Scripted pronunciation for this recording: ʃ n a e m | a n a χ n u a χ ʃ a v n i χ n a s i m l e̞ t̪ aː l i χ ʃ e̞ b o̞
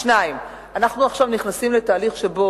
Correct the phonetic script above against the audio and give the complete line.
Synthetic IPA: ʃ n a i m | a n a χ n u a χ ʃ a v n i χ n a s i m l e̞ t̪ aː l i χ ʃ e̞ b o̞

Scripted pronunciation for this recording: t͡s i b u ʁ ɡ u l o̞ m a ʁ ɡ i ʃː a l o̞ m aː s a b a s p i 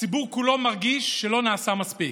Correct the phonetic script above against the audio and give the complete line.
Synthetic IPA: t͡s i b u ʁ k u l o̞ m a ʁ ɡ i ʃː e l o̞ n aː s a m a s p i

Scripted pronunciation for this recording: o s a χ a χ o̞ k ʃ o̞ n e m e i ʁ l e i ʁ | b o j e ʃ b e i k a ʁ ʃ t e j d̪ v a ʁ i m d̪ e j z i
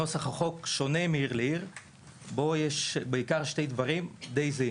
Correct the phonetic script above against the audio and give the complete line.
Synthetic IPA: o s a χ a χ o̞ k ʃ o̞ n e m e i ʁ l e i ʁ | b o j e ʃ b e i k a ʁ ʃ t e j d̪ v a ʁ i m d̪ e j z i

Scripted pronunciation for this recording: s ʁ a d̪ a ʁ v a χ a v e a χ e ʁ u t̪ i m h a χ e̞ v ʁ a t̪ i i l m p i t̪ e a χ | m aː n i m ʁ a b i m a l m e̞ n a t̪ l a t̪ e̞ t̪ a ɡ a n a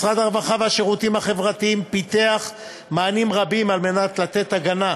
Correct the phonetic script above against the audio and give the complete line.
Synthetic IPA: s ʁ a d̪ a ʁ v a χ a v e a ʃ e ʁ u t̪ i m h a χ e̞ v ʁ a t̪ i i m p i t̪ e a χ | m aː n i m ʁ a b i m a l m e̞ n a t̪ l a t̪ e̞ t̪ a ɡ a n a

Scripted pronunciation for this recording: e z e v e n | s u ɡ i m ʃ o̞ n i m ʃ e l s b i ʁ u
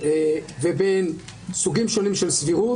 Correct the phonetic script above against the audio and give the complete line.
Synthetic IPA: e v e b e n | s u ɡ i m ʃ o̞ n i m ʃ e l s v i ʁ u

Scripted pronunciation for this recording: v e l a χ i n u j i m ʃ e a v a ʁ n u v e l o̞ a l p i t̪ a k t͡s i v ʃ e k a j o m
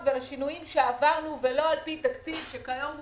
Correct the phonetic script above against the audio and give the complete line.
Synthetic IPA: v e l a ʃ i n u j i m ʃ e a v a ʁ n u v e l o̞ a l p i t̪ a k t͡s i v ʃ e k a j o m

